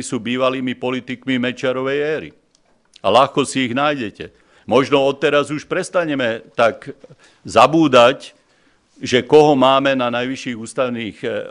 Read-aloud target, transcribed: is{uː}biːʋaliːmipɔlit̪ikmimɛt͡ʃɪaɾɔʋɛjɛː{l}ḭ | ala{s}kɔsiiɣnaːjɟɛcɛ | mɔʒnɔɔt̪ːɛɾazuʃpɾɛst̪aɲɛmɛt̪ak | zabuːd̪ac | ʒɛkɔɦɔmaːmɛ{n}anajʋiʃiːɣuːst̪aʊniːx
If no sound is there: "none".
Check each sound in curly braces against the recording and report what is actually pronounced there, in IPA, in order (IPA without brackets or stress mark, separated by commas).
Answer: uː, ɾ, x, n